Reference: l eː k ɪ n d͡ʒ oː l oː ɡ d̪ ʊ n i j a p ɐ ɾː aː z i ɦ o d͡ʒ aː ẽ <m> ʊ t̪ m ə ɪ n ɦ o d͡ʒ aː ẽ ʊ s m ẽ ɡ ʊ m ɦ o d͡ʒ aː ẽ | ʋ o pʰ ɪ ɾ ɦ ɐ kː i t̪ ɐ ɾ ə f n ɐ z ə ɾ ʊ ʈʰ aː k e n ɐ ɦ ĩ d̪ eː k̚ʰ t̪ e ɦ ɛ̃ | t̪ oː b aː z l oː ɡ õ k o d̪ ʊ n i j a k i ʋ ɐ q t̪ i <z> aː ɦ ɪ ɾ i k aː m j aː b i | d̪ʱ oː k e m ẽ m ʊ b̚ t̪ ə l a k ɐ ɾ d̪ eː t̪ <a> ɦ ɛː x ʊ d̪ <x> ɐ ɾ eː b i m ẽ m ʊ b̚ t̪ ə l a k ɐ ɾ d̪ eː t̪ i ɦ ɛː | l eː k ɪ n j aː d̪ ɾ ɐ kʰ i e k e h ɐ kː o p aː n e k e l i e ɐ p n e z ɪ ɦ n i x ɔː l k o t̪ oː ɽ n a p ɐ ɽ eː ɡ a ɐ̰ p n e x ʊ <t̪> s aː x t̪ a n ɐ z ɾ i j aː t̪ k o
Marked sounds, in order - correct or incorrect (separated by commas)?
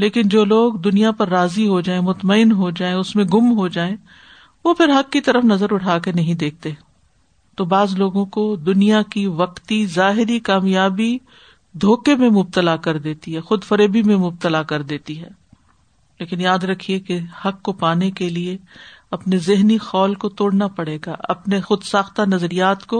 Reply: correct, correct, incorrect, incorrect, incorrect